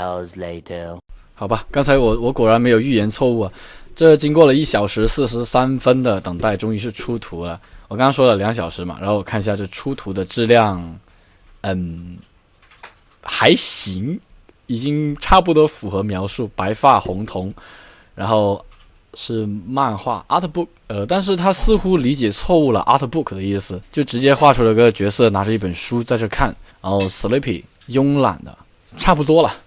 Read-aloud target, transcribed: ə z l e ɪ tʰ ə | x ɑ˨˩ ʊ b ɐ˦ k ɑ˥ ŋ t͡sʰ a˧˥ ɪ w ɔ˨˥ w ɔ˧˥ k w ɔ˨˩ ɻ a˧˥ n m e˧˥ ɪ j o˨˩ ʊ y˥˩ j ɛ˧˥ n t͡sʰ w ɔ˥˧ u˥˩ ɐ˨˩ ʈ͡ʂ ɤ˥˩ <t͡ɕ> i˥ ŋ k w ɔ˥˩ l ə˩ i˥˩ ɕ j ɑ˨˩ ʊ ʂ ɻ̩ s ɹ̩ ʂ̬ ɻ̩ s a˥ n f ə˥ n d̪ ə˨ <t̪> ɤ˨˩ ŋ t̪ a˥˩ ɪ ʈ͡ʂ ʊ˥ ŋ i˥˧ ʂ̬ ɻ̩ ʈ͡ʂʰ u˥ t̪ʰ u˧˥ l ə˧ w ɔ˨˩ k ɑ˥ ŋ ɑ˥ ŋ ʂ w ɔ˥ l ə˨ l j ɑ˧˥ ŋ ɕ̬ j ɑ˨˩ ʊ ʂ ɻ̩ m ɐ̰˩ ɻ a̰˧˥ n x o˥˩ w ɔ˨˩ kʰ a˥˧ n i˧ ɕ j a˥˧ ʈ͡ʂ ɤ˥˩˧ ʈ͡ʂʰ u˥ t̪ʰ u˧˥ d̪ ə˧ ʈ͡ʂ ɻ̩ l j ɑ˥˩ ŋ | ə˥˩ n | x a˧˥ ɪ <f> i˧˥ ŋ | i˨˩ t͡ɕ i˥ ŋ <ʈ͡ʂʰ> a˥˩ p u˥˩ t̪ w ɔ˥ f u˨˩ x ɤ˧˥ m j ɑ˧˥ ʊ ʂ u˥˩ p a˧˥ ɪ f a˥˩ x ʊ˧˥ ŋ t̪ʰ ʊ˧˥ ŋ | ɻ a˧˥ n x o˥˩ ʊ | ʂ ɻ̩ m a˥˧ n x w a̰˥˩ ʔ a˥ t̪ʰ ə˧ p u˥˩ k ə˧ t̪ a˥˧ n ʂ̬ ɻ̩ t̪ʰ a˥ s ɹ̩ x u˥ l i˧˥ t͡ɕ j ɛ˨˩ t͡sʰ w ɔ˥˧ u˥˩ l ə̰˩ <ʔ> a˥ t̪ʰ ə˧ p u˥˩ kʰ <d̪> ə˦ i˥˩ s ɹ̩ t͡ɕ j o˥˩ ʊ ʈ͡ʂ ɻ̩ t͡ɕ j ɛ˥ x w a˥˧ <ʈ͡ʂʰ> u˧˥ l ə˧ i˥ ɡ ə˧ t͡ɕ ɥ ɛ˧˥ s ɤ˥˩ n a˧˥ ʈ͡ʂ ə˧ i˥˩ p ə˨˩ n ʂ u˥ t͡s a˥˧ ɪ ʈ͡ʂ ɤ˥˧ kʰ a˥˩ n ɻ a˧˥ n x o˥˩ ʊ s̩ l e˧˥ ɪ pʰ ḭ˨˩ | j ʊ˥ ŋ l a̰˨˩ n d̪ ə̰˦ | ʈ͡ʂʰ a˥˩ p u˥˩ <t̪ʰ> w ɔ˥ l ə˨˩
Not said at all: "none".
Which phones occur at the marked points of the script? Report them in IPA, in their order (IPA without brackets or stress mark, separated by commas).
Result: t͡ɕ, t̪, ɕ, ʈ͡ʂʰ, ʔ, d̪, ʈ͡ʂʰ, t̪